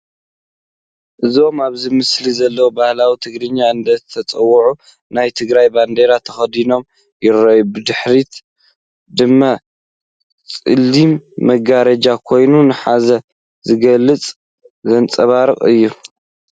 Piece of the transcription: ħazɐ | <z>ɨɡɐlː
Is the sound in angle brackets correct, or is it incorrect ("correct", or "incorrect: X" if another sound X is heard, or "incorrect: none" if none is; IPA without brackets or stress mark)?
correct